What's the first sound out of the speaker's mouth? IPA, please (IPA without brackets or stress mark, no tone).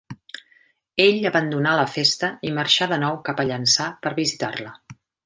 e